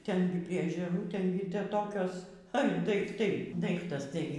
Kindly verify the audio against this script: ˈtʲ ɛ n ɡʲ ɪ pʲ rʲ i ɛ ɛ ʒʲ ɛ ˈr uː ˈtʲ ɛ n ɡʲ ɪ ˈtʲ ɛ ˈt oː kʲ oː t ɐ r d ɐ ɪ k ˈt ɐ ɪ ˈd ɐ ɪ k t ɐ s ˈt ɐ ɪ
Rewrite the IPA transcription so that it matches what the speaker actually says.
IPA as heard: ˈtʲ ɛ n ɡʲ ɪ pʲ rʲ i ɛ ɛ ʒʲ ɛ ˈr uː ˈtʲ ɛ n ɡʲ ɪ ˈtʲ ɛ ˈt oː kʲ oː s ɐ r d ɐ ɪ k ˈt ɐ ɪ ˈd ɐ ɪ k t ɐ s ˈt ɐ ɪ